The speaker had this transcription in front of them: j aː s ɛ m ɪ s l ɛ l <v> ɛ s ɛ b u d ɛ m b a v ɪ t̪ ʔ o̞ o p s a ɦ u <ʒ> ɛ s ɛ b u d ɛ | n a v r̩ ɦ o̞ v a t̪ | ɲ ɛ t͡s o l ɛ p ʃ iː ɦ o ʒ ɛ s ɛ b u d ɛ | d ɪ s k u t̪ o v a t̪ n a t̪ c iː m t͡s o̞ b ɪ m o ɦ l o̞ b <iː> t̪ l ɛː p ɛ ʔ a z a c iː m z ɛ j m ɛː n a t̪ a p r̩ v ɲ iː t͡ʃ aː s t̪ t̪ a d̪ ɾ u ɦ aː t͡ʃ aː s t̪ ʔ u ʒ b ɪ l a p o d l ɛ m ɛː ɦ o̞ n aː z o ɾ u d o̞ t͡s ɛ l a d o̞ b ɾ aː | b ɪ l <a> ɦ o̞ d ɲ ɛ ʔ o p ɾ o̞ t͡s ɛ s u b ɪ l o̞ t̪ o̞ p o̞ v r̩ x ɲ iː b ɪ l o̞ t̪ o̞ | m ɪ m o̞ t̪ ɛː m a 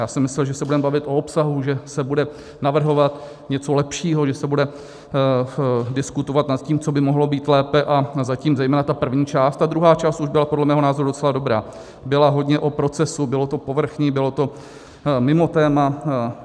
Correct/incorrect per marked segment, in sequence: incorrect, correct, correct, correct

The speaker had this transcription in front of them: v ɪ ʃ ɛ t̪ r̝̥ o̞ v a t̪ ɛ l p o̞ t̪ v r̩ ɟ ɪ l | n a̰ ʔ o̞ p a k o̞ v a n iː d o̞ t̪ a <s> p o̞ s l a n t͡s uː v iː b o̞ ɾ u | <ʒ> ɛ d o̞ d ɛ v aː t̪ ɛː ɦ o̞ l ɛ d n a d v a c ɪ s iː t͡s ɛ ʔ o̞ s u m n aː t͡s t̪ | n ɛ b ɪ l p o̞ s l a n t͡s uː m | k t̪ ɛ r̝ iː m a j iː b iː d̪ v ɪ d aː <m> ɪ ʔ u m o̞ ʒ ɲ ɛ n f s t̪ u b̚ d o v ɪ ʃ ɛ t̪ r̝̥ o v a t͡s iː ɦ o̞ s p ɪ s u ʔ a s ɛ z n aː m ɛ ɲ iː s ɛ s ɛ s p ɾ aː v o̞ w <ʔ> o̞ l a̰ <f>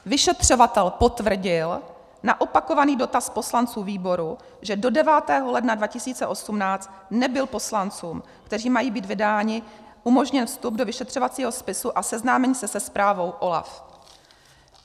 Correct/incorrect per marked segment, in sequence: correct, correct, incorrect, correct, correct

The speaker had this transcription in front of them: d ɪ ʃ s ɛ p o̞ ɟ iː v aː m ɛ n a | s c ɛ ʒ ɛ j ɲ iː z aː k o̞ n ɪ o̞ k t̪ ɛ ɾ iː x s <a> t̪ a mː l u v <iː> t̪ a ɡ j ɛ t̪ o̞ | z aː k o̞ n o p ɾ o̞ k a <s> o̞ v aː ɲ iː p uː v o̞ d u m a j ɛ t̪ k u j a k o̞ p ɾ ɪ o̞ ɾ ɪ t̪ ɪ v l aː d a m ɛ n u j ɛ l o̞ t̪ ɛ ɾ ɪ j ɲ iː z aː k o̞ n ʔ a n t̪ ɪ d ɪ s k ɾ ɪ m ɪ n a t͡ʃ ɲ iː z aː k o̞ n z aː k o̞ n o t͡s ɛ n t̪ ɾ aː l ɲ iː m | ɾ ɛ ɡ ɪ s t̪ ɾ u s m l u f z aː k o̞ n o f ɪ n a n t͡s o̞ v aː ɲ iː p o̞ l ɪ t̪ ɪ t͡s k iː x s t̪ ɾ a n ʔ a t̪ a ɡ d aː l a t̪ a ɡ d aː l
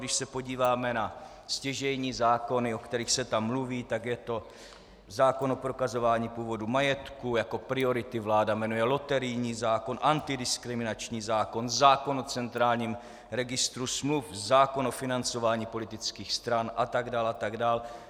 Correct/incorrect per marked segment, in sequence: incorrect, correct, incorrect

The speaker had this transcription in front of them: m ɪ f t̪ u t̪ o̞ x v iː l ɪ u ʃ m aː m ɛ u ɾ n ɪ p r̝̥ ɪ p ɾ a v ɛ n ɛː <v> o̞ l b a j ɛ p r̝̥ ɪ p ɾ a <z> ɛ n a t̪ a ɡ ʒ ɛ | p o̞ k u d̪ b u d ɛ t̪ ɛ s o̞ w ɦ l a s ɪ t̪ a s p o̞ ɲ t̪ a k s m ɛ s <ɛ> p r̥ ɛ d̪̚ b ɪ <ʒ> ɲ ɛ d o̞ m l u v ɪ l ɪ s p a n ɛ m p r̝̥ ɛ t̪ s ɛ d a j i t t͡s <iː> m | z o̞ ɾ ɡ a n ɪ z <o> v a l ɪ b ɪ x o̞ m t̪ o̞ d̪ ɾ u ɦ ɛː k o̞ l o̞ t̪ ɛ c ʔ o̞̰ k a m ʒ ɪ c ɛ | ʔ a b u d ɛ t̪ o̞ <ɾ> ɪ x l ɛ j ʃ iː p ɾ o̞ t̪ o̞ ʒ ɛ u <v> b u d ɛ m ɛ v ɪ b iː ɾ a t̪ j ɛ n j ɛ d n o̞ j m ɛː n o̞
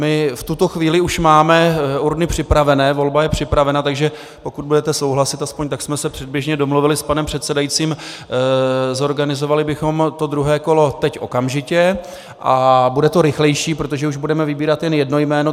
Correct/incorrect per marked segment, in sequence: correct, incorrect, correct, correct, correct, correct, correct, incorrect

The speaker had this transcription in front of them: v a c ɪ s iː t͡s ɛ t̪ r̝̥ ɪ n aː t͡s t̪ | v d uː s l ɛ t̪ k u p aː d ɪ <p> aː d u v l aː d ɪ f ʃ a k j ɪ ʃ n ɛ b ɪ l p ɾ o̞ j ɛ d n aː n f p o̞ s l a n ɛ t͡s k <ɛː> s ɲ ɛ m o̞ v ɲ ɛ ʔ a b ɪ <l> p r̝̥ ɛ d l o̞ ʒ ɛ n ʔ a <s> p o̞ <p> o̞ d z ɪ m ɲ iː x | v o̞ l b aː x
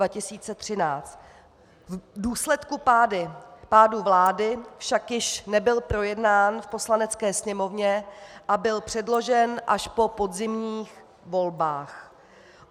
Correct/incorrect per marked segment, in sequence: correct, correct, correct, incorrect, correct

